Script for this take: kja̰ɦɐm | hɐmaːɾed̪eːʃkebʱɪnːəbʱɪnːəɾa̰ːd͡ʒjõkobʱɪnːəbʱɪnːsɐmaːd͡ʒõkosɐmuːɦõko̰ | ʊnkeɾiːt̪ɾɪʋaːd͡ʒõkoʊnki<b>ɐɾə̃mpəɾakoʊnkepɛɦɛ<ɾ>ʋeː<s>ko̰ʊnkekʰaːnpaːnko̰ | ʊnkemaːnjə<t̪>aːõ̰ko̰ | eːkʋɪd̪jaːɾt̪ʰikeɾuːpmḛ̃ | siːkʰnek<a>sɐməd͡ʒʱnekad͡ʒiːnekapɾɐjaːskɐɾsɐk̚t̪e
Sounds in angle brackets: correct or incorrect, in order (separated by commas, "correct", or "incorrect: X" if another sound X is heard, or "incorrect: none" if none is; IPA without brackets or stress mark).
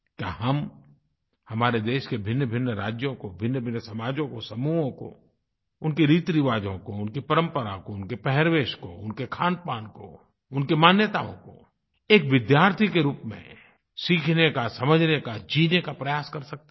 incorrect: p, correct, incorrect: ʃ, correct, correct